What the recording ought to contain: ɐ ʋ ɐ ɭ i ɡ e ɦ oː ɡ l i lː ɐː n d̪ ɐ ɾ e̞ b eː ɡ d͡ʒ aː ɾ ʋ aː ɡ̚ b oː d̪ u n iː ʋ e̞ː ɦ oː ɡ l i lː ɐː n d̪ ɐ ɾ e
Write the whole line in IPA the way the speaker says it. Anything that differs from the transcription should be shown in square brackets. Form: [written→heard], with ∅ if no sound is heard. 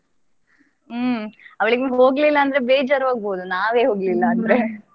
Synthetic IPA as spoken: ɐ ʋ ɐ ɭ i ɡ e ɦ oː ɡ l i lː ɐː n d̪ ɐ ɾ e̞ b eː [ɡ→∅] d͡ʒ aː ɾ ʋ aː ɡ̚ b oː d̪ u n [iː→aː] ʋ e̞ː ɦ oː ɡ l i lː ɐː n d̪ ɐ ɾ e

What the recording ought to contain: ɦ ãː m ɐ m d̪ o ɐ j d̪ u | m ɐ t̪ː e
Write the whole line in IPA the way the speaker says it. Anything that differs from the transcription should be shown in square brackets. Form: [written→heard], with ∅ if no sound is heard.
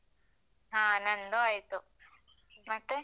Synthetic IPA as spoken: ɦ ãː [m→n] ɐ [m→n] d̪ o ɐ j [d̪→t̪] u | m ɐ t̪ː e

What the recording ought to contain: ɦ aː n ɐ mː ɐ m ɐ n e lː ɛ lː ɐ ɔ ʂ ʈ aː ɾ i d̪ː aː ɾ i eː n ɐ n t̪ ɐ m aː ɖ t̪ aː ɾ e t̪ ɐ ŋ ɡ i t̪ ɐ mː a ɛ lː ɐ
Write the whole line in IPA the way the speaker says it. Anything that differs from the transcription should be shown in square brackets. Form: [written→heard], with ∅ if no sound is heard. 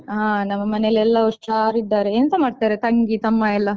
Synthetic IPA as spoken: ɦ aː n ɐ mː ɐ m ɐ n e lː ɛ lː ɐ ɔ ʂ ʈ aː ɾ i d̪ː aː ɾ [i→e] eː n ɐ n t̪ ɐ m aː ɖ t̪ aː ɾ e t̪ ɐ ŋ ɡ i t̪ ɐ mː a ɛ lː ɐ

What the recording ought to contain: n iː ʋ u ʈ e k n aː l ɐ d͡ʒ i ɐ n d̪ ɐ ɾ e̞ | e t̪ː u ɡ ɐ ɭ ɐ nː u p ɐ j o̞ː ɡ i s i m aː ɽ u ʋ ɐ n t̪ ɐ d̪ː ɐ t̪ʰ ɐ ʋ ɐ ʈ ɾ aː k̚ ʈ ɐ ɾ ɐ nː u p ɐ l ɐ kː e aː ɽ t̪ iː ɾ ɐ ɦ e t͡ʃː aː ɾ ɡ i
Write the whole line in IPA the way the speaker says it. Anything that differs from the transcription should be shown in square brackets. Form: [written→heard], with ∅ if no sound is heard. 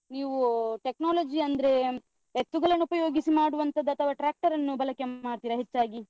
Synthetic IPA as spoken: n iː ʋ u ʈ e k n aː l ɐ d͡ʒ i ɐ n d̪ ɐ ɾ e̞ | e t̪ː u ɡ ɐ ɭ ɐ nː u p ɐ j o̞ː ɡ i s i m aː ɽ u ʋ ɐ n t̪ ɐ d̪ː ɐ t̪ʰ ɐ ʋ ɐ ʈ ɾ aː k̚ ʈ ɐ ɾ ɐ nː u [p→b] ɐ l ɐ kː e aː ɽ t̪ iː ɾ ɐ ɦ e t͡ʃː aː [ɾ→∅] ɡ i

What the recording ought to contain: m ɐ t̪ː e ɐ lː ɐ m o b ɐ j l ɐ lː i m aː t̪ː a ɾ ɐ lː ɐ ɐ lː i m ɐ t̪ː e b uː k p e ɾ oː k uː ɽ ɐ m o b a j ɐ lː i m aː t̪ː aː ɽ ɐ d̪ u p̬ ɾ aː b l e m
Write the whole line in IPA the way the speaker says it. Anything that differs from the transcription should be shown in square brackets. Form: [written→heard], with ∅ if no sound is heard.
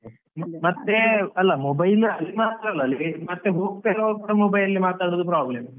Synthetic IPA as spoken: m ɐ t̪ː e ɐ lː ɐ m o b ɐ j l ɐ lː i m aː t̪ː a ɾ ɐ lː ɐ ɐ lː i m ɐ t̪ː e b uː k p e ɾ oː k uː ɽ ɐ m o b [a→ɐ] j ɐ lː i m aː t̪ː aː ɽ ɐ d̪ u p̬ ɾ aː b l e m

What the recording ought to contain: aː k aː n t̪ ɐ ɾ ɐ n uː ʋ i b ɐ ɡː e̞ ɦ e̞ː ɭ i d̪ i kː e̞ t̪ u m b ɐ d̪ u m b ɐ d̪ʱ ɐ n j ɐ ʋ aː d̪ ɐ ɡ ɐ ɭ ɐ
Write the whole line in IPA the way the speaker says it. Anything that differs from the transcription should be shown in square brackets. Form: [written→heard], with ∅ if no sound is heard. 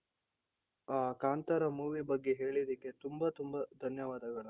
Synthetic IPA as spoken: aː k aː n t̪ ɐ ɾ ɐ [n→m] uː ʋ i b ɐ ɡː e̞ ɦ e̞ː ɭ i d̪ i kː e̞ t̪ u m b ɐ [d̪→t̪] u m b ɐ d̪ʱ ɐ n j ɐ ʋ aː d̪ ɐ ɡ ɐ ɭ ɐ

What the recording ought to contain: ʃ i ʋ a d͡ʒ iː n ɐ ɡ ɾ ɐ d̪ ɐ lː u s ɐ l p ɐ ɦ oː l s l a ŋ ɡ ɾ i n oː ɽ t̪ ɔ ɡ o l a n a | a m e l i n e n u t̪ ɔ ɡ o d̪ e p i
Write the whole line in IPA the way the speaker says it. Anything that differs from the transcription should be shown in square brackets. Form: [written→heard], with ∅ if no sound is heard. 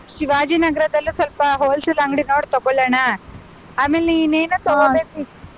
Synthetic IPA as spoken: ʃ i ʋ a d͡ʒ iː n ɐ ɡ ɾ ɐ d̪ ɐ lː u s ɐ l p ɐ ɦ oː l s l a ŋ ɡ [ɾ→ɽ] i n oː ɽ t̪ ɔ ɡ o l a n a | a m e l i n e n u t̪ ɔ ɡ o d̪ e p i

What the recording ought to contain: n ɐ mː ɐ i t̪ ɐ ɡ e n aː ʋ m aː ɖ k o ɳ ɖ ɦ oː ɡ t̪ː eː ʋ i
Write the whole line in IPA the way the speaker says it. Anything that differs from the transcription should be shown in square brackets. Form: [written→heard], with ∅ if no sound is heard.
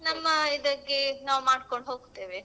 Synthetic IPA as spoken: n ɐ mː ɐ i [t̪→d̪] ɐ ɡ e n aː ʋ m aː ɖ k o ɳ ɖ ɦ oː ɡ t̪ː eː ʋ [i→e]

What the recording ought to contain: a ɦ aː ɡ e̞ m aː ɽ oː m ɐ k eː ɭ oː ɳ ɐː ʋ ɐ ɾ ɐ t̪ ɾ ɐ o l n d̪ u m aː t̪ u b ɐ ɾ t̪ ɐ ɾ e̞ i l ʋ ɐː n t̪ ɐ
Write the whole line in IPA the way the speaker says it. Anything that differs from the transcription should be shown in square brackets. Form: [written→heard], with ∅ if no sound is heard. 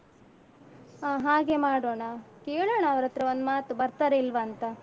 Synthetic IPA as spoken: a ɦ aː ɡ e̞ m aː ɽ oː [m→ɳ] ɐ k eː ɭ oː ɳ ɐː ʋ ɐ ɾ ɐ t̪ ɾ ɐ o [l→∅] n d̪ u m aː t̪ u b ɐ ɾ t̪ ɐ ɾ e̞ i l ʋ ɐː n t̪ ɐ

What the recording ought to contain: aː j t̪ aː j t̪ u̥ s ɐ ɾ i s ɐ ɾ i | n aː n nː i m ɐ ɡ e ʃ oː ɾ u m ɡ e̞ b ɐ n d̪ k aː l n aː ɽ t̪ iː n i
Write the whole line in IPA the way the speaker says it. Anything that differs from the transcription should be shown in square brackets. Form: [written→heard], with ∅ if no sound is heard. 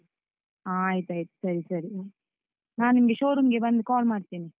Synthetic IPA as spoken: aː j t̪ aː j t̪ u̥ s ɐ ɾ i s ɐ ɾ i | n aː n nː i m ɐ ɡ e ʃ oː ɾ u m ɡ e̞ b ɐ n d̪ k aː l [n→m] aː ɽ t̪ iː n i

